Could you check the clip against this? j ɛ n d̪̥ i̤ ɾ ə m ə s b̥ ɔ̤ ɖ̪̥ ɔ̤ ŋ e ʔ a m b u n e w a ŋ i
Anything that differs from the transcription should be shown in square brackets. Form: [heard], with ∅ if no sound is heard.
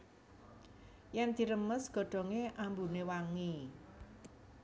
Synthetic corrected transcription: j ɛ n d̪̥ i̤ ɾ ə m ə s [ɡ̥] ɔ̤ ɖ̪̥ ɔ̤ ŋ e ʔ a m b u n e w a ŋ i

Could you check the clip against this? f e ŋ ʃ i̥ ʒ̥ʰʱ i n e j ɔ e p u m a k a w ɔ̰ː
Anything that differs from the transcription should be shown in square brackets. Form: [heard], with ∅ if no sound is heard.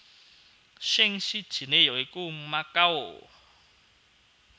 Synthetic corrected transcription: [ʃ] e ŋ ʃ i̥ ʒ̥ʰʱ i n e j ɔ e [k] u m a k a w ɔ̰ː

